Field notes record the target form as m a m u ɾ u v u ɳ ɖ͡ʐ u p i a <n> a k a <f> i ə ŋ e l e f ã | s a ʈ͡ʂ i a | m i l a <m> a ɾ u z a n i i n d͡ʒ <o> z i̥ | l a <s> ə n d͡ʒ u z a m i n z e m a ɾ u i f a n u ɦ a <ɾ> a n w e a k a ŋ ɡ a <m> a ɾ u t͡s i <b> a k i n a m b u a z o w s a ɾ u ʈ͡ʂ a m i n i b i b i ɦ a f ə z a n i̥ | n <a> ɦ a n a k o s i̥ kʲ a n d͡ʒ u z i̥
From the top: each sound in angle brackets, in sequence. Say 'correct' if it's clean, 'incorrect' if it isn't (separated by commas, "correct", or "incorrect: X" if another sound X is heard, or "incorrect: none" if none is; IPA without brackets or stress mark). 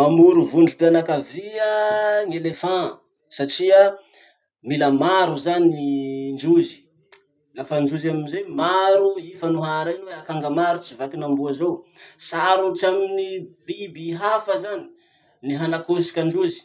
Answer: correct, incorrect: v, correct, incorrect: u, incorrect: f, correct, correct, incorrect: v, incorrect: i